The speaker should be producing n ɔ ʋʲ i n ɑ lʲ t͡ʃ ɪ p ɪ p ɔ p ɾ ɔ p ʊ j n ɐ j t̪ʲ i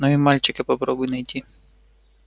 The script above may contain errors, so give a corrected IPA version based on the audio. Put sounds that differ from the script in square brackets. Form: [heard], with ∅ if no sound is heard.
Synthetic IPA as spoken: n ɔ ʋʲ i [m] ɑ lʲ t͡ʃ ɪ [k] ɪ p ɔ p ɾ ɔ [b] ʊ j n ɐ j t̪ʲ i